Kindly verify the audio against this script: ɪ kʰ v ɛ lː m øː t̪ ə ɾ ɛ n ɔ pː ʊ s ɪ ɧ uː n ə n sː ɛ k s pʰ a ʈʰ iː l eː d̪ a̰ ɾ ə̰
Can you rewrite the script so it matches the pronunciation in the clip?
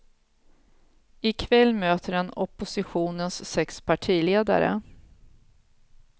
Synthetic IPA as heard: ɪ kʰ v ɛ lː m øː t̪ ə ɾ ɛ n ɔ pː ʊ s ɪ ɧ uː n ə n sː ɛ k s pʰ a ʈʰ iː l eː d̪ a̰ ɾ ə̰